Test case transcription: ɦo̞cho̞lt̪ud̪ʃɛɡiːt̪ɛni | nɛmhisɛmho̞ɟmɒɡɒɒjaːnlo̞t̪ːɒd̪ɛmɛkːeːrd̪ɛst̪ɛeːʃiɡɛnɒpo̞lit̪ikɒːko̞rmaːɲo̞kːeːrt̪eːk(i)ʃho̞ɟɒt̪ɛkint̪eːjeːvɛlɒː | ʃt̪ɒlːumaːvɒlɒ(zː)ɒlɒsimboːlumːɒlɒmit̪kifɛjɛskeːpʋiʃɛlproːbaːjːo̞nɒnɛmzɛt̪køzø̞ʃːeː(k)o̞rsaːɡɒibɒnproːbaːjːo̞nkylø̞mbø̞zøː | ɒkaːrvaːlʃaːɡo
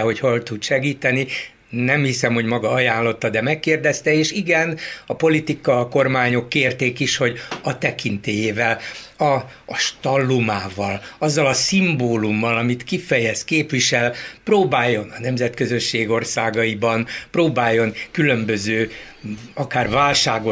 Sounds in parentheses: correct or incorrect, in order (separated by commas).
correct, correct, incorrect